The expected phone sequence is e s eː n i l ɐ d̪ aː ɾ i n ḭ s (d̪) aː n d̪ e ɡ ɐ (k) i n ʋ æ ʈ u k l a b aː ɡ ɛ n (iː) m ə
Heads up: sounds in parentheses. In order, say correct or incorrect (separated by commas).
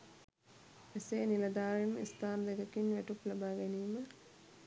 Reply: incorrect, correct, correct